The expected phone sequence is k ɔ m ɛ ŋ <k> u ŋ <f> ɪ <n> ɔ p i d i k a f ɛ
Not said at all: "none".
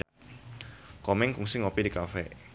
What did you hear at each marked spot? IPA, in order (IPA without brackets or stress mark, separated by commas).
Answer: k, s, ŋ